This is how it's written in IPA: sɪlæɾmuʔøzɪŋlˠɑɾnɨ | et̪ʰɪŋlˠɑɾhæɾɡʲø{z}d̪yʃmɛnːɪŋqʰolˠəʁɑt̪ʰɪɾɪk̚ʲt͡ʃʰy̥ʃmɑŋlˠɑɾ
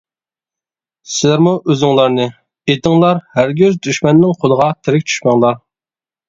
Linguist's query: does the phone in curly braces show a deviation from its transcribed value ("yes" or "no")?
no